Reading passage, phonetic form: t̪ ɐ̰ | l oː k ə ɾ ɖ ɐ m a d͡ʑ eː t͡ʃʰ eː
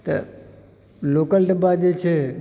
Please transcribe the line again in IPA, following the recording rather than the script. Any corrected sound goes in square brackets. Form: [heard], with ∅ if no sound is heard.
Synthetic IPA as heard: t̪ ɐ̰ | l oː k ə [l] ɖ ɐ [b] a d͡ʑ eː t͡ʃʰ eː